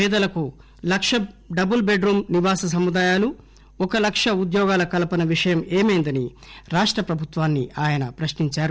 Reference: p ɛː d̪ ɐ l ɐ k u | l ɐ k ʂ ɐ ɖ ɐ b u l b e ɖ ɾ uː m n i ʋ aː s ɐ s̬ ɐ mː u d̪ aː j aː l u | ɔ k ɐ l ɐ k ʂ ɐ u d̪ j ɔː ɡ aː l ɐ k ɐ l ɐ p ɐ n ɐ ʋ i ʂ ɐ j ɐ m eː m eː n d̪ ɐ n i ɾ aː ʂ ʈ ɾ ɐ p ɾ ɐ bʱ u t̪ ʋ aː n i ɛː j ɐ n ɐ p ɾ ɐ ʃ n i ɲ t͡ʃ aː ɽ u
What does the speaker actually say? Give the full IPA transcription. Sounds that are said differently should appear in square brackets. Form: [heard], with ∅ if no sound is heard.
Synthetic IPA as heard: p ɛː d̪ ɐ l ɐ k u | l ɐ k ʂ ɐ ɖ ɐ b u l b e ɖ ɾ uː m n i ʋ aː s ɐ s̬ ɐ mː u d̪ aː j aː l u | ɔ k ɐ l ɐ k ʂ ɐ u d̪ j ɔː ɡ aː l ɐ k ɐ l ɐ p ɐ n ɐ ʋ i ʂ ɐ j ɐ m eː m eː n d̪ ɐ n i ɾ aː ʂ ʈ ɾ ɐ p ɾ ɐ bʱ u t̪ ʋ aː [nː] i [aː] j ɐ n ɐ p ɾ ɐ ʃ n i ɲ t͡ʃ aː [ɾ] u